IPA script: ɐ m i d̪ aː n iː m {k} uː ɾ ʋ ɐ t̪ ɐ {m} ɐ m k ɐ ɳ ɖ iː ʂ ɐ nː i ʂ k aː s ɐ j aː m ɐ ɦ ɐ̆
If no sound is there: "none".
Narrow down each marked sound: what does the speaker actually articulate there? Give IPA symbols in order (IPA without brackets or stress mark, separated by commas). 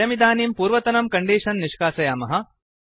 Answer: p, n